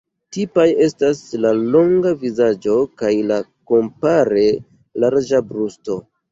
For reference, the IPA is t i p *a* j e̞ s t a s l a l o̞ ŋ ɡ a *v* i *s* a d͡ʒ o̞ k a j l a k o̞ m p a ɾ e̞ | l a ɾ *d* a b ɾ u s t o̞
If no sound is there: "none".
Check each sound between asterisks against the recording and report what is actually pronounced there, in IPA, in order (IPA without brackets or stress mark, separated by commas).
a, v, z, d͡ʒ